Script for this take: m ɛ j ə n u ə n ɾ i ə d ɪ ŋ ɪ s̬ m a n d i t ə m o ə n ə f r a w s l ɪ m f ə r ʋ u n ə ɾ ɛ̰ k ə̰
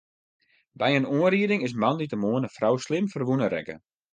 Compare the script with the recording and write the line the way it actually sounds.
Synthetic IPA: b ɛ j ə n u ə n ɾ i ə d ɪ ŋ ɪ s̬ m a n d i t ə m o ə n ə f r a w s l ɪ m f ə r ʋ u n ə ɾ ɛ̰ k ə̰